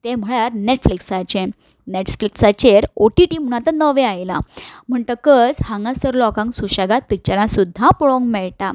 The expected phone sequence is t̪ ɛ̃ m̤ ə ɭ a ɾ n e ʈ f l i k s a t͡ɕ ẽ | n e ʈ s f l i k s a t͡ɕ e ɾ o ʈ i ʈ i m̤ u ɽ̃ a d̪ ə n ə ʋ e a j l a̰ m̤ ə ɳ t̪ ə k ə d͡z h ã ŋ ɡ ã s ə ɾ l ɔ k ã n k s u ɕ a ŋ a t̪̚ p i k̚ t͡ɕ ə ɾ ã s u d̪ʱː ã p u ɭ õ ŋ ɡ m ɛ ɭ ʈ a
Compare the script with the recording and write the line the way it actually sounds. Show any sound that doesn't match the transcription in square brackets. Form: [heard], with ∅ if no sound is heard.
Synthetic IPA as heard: t̪ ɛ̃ m̤ ə ɭ a ɾ n e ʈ f l i k s a t͡ɕ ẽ | n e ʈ s f l i k s a t͡ɕ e ɾ o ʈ i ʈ i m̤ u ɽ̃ a [t̪] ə n ə ʋ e a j l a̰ m̤ ə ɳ t̪ ə k ə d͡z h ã ŋ ɡ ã s ə ɾ l ɔ k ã [ŋ] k s u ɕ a [ɡ] a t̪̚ p i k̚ t͡ɕ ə ɾ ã s u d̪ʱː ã p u ɭ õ ŋ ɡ m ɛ ɭ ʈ a